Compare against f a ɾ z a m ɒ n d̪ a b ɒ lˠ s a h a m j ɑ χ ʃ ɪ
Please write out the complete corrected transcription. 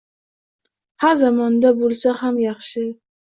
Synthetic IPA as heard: h a ɾ z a m ɒ n d̪ a b o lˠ s a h a m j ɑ χ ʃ ɪ